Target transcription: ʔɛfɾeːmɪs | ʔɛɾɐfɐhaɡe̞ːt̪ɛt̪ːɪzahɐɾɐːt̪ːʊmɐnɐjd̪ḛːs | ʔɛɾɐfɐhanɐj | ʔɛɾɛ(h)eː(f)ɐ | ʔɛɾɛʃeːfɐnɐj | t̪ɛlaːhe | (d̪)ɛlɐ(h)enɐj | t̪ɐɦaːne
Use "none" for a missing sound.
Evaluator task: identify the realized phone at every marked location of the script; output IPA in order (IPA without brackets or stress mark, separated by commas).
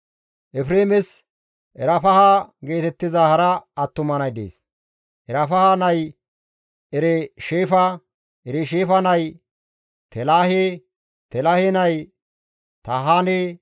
ʃ, f, t̪, h